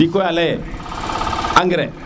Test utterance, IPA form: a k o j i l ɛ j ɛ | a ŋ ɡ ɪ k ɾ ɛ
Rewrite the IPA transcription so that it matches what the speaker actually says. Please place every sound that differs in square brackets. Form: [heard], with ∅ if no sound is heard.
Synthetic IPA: [i] k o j [a] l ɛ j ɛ | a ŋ ɡ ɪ [∅] ɾ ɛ